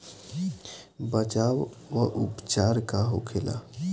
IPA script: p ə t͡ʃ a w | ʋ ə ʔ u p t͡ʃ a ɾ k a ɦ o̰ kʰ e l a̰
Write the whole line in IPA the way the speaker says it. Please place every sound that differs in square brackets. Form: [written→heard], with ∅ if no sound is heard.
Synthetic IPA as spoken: [p→b] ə t͡ʃ a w | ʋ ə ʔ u p t͡ʃ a ɾ k a ɦ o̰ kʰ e l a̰